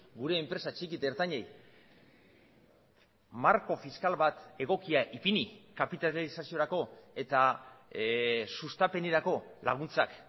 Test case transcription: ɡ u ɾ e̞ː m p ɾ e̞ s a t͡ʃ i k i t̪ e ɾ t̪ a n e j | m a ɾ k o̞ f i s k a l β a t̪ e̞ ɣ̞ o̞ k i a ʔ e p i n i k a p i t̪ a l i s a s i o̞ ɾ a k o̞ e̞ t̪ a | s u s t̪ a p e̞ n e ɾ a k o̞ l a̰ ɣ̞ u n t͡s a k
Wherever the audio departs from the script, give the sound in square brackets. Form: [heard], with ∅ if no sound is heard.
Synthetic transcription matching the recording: ɡ u ɾ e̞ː m p ɾ e̞ s a t͡ʃ i k i t̪ e ɾ t̪ a [ɲ] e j | m a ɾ k o̞ f i s k a l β a t̪ e̞ ɣ̞ o̞ k i a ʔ [i] p i n i k a p i t̪ a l i s a s i o̞ ɾ a k o̞ e̞ t̪ a | s u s t̪ a p e̞ n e ɾ a k o̞ l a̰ ɣ̞ u n t͡s a k